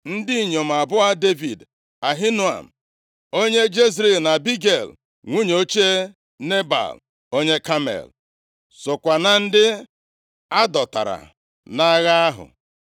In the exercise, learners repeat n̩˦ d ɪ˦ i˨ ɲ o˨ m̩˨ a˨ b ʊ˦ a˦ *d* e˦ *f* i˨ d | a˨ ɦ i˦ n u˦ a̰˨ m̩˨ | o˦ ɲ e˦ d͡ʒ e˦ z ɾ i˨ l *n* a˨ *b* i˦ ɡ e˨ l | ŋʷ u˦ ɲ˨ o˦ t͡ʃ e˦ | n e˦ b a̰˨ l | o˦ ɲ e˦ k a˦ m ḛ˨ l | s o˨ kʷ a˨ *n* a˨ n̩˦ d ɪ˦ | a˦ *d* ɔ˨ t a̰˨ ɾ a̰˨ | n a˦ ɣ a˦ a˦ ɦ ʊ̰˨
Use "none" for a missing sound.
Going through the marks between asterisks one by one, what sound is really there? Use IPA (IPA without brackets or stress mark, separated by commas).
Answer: d, v, n, b, n, d